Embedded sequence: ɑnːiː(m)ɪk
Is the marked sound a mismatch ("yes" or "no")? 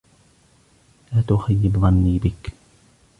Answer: yes